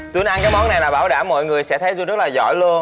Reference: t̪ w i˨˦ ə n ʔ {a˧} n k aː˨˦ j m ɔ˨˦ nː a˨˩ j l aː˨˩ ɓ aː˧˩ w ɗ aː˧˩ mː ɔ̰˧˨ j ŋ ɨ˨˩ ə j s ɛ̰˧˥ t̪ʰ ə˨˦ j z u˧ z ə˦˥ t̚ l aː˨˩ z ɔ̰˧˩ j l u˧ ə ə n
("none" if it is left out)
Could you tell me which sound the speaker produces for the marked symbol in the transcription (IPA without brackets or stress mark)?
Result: a˧